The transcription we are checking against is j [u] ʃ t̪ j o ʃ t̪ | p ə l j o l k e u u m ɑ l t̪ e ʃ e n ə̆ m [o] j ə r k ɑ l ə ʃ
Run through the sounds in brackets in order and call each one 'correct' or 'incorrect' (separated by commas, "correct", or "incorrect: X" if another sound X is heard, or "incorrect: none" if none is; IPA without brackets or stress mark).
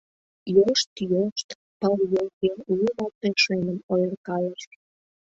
incorrect: o, correct